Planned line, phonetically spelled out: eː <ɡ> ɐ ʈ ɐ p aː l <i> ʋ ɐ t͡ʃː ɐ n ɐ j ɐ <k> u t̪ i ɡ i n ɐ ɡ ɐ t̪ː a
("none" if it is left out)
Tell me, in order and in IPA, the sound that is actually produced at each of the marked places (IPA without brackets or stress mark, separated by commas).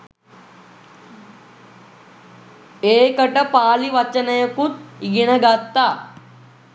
k, i, k